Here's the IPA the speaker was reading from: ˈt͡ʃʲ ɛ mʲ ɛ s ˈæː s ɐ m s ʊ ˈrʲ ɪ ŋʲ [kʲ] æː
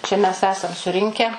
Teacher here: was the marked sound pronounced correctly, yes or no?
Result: yes